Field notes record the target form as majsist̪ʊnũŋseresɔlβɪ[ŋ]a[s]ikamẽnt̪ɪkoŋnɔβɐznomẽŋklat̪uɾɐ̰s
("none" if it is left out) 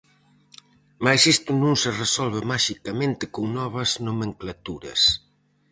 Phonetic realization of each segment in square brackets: m, ʃ

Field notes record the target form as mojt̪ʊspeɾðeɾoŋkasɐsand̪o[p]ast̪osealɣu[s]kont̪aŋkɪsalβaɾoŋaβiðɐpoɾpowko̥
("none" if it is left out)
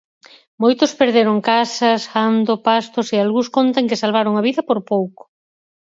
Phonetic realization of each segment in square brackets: p, s

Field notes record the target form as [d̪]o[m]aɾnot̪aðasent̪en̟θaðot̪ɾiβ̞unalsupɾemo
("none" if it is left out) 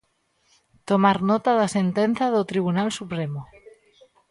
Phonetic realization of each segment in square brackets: t̪, m

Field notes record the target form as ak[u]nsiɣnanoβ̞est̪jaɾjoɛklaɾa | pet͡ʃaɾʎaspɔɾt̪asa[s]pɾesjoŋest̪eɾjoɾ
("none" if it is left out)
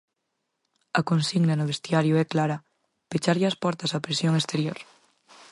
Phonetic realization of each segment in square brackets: o, none

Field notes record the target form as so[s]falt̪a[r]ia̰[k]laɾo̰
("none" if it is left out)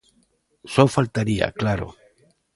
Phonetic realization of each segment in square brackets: none, ɾ, k

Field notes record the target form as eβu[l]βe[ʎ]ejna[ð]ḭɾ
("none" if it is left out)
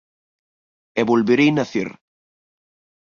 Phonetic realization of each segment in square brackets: l, ɾ, θ

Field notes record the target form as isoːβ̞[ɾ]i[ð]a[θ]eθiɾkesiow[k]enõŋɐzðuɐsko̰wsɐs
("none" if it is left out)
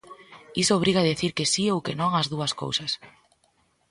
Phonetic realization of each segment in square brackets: ɾ, ɣ, ð, k

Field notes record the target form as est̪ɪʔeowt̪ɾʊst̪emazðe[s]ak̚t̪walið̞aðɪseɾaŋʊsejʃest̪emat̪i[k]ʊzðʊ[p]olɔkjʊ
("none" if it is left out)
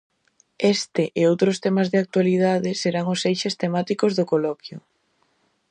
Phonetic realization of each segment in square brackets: none, k, k

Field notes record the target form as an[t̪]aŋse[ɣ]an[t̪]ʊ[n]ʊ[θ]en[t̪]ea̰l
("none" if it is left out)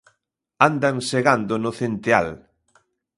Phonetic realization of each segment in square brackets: d̪, ɣ, d̪, n, θ, t̪

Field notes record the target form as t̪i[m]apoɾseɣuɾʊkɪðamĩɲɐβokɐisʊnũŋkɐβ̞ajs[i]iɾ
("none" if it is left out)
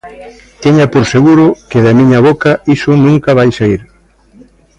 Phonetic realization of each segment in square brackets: ɲ, a

